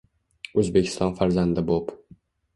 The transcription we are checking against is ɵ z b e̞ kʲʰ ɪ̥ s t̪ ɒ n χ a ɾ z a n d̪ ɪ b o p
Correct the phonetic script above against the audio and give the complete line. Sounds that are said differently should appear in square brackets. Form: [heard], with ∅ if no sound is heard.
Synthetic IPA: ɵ z b e̞ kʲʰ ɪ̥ s t̪ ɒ n [f] a ɾ z a n d̪ ɪ b o p